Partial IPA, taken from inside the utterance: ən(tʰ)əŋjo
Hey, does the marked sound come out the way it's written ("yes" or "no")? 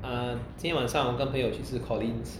no